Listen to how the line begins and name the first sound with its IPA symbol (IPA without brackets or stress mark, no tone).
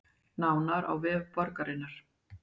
n